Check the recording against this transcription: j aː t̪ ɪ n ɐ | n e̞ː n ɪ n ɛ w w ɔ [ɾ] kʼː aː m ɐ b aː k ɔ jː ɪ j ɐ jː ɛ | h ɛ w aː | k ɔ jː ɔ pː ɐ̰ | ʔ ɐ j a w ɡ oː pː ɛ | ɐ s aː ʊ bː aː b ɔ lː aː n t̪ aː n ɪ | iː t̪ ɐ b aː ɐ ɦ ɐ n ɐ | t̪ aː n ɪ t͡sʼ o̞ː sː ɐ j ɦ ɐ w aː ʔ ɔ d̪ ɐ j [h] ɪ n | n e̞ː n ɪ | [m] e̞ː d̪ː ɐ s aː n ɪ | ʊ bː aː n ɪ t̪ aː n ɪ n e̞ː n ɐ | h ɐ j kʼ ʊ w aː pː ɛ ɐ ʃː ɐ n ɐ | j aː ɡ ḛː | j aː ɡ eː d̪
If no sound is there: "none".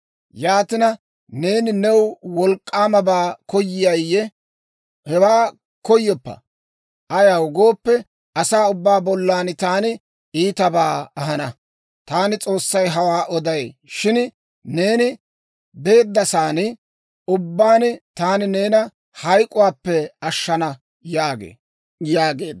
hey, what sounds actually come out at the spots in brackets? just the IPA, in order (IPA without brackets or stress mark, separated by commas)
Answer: l, ʃ, b